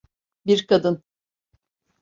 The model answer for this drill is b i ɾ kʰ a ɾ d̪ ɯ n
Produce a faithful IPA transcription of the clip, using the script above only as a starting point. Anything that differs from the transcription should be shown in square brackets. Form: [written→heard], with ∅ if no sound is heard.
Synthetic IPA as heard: b i ɾ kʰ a [ɾ→∅] d̪ ɯ n

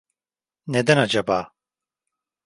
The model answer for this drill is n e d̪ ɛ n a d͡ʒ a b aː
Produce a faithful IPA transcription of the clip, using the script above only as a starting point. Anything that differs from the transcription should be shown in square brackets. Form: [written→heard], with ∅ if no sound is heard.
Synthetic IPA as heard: n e d̪ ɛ n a d͡ʒ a b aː

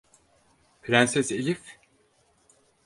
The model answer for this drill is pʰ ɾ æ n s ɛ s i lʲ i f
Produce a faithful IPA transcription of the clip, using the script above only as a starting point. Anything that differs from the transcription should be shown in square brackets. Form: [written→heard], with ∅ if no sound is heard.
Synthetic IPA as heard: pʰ ɾ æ n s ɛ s [i→e] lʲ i f

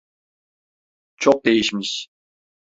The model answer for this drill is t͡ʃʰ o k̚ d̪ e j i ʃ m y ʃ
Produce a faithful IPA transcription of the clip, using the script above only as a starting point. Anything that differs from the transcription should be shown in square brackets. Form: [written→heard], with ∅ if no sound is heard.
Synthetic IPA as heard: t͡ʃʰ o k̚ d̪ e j i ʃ m [y→i] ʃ

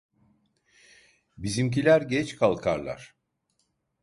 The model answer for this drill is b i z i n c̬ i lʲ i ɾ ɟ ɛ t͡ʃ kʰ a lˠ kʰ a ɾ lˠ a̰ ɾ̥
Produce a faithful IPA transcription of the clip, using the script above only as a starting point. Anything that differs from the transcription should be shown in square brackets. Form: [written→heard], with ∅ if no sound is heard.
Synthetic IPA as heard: b i z i [n→m] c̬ i lʲ [i→æ] ɾ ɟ ɛ t͡ʃ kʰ a lˠ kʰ a ɾ lˠ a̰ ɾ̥

